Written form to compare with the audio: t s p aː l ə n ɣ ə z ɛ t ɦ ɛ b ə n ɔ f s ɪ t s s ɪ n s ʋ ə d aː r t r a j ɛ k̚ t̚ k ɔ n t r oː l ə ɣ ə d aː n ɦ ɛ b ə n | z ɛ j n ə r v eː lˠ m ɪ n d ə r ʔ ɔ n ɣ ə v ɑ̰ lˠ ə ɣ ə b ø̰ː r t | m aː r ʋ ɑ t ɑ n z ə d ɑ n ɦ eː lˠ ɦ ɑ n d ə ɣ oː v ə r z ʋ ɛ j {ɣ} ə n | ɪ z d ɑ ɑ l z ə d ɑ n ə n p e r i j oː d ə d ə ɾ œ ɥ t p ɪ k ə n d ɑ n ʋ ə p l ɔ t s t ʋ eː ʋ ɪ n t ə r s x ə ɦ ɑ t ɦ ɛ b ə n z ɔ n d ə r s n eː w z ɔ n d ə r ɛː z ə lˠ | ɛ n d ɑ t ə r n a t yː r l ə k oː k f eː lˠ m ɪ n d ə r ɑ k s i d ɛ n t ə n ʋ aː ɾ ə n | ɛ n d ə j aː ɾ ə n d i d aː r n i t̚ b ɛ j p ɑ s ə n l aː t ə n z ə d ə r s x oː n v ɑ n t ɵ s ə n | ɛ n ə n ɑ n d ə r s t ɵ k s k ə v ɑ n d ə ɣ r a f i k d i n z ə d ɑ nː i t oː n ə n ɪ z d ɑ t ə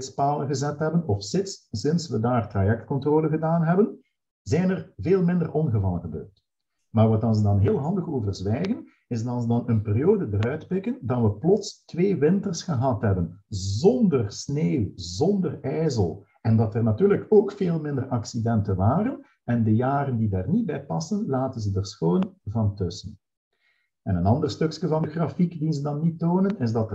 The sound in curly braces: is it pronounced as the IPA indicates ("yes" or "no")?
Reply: yes